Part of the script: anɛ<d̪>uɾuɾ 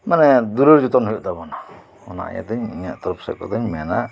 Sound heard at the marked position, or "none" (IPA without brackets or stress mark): d̪